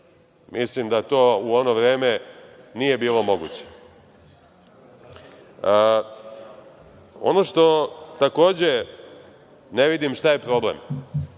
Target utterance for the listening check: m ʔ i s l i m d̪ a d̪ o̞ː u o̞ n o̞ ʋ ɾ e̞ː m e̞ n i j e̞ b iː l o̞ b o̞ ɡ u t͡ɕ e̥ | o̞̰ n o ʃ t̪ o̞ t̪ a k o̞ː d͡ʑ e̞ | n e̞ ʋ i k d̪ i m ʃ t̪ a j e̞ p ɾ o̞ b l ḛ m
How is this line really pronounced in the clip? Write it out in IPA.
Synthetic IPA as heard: m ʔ i s l i m d̪ a t̪ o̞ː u o̞ n o̞ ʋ ɾ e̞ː m e̞ n i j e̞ b iː l o̞ m o̞ ɡ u t͡ɕ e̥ | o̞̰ n o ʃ t̪ o̞ t̪ a k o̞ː d͡ʑ e̞ | n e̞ ʋ i d̪ i m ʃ t̪ a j e̞ p ɾ o̞ b l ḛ m